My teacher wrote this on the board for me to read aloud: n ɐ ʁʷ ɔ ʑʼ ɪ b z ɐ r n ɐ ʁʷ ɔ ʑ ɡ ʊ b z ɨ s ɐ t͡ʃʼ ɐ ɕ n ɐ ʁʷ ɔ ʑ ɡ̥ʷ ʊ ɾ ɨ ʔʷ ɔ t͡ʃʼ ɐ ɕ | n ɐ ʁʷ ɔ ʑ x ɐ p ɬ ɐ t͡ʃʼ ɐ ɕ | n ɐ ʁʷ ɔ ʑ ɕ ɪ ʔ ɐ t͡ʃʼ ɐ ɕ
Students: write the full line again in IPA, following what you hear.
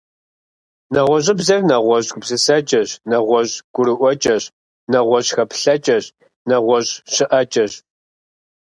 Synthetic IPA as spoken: n ɐ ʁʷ ɔ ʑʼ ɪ b z ɐ r n ɐ ʁʷ ɔ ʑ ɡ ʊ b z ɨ s ɐ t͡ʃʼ ɐ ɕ n ɐ ʁʷ ɔ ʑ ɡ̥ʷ ʊ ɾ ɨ ʔʷ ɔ t͡ʃʼ ɐ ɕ | n ɐ ʁʷ ɔ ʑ x ɐ p ɬ ɐ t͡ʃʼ ɐ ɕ | n ɐ ʁʷ ɔ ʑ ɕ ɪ ʔ ɐ t͡ʃʼ ɐ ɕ